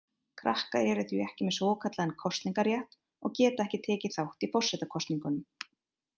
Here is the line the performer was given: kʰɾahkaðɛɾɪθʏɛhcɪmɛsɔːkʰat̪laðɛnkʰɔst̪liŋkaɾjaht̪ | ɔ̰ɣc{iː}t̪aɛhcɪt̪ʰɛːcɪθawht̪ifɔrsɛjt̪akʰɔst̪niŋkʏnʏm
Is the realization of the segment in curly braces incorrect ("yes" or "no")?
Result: yes